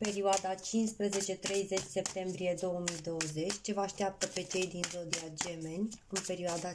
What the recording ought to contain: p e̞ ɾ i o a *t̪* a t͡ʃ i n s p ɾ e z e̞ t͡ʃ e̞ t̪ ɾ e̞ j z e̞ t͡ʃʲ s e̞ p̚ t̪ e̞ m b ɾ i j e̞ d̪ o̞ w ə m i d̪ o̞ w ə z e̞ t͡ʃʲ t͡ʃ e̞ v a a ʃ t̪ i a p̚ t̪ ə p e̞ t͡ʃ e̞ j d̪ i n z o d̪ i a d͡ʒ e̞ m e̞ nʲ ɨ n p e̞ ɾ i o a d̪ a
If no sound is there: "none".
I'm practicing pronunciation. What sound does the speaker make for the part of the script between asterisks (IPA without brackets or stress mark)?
d̪